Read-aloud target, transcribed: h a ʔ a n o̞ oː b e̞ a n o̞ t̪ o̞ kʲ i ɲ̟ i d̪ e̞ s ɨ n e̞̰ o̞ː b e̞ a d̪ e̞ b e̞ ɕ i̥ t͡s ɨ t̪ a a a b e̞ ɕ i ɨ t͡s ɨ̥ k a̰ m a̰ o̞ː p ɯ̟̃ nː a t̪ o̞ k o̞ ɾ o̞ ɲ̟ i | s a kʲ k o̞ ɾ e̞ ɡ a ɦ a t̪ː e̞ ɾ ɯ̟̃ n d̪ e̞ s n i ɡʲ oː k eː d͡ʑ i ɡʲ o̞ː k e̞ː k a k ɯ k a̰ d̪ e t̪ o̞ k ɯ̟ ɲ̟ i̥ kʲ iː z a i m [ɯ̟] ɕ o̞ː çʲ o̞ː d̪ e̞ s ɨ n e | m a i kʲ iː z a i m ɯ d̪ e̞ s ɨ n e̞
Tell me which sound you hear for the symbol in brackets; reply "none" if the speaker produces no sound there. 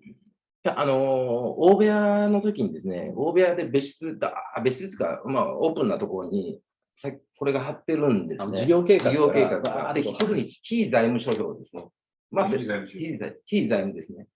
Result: ɯ̟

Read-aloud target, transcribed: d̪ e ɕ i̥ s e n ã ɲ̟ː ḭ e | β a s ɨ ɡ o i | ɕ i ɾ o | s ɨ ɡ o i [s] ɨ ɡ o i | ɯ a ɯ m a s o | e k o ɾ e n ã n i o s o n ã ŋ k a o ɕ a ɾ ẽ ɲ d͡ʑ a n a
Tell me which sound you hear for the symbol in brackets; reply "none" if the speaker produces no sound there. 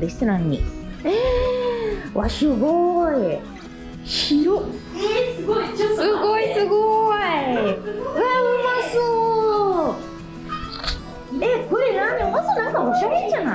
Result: s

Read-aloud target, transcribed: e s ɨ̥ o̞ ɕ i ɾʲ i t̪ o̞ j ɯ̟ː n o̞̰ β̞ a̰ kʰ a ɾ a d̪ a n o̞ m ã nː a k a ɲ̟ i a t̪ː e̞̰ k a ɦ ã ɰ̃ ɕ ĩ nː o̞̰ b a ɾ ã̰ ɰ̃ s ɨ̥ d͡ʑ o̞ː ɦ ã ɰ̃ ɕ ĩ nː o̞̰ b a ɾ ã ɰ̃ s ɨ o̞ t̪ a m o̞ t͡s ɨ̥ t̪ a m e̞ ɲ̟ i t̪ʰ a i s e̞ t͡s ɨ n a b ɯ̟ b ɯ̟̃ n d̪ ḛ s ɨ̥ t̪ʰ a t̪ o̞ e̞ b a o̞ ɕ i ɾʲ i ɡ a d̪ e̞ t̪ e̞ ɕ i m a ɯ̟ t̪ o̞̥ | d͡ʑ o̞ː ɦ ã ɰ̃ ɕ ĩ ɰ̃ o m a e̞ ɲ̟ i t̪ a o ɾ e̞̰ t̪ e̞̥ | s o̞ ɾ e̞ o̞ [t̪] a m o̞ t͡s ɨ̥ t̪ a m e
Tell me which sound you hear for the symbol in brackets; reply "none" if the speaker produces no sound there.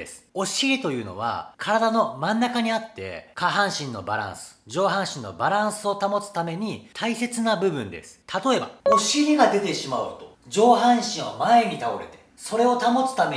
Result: t̪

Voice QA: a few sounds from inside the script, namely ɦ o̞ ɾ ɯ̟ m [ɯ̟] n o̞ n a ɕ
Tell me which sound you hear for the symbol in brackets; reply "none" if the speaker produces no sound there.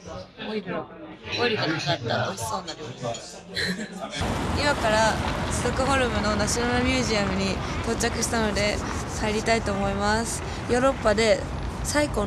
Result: ɯ̟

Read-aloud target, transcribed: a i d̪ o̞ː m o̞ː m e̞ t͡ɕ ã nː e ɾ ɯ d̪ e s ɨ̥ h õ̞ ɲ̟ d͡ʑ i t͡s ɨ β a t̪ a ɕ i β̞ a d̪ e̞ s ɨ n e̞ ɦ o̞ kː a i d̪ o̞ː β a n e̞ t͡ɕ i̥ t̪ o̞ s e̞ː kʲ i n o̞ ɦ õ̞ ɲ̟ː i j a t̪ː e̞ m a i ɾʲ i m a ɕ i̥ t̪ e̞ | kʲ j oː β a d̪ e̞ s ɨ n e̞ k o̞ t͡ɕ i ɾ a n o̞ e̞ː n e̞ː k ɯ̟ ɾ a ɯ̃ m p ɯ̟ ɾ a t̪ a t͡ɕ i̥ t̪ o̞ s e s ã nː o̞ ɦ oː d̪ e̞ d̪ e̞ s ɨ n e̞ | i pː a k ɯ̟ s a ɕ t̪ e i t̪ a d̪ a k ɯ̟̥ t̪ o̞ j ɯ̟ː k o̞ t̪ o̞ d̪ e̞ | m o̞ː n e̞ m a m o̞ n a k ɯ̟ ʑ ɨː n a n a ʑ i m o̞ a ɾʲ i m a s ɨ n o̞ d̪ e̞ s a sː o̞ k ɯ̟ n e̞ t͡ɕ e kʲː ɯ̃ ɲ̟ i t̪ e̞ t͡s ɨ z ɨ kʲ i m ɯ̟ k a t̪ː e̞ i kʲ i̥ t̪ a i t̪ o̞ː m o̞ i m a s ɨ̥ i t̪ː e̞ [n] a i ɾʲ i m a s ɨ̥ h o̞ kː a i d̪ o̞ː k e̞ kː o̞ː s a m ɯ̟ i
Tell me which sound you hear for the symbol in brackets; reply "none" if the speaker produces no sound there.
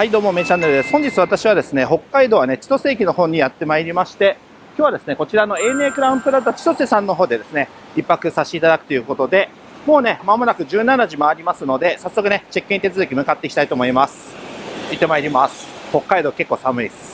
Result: m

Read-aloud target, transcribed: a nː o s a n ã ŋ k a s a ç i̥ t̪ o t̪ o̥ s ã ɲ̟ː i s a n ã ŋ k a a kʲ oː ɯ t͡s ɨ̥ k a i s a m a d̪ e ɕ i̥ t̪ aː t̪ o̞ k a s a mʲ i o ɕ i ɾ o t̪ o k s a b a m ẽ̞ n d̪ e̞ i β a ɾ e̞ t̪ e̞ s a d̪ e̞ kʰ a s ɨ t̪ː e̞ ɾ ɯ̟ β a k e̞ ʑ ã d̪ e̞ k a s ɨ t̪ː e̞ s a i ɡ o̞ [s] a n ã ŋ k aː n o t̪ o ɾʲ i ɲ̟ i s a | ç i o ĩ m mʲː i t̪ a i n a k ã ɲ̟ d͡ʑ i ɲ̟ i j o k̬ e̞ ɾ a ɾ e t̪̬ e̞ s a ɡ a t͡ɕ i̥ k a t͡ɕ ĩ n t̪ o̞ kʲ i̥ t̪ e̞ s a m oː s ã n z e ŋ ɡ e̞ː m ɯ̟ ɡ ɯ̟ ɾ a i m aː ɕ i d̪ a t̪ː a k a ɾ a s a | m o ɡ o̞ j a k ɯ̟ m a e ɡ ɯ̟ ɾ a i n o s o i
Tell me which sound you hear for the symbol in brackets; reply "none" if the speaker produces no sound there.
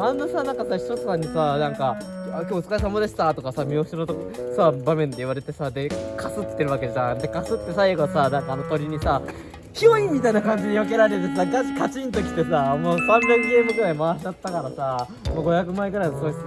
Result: s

